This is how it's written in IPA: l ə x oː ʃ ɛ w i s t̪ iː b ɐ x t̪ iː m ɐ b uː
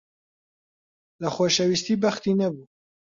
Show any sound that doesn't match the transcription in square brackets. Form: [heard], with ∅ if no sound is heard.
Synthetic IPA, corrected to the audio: l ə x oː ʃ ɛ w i s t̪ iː b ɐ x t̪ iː [n] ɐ b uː